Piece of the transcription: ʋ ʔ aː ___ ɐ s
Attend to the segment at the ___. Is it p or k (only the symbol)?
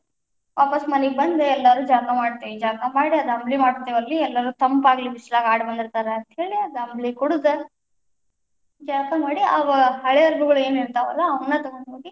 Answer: p